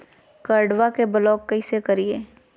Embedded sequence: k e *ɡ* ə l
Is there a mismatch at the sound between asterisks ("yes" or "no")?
yes